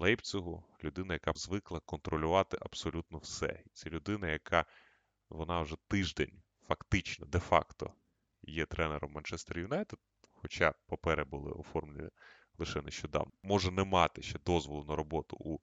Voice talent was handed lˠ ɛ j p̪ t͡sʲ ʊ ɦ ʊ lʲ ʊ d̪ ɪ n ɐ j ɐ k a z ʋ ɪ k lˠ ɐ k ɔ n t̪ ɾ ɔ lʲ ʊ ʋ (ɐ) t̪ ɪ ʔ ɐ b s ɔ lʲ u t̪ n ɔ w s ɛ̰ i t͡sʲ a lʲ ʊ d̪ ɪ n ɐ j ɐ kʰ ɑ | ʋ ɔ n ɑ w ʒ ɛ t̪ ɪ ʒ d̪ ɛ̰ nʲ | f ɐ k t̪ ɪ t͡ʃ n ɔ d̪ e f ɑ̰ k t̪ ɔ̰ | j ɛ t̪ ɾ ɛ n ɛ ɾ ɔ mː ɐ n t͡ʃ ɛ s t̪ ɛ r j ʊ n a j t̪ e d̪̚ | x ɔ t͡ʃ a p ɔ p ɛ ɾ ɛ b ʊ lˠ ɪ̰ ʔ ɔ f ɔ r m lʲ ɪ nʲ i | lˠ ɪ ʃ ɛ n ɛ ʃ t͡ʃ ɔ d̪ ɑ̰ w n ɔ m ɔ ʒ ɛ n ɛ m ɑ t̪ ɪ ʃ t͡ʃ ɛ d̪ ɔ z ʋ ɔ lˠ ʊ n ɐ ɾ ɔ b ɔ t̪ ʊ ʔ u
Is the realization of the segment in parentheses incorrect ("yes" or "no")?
yes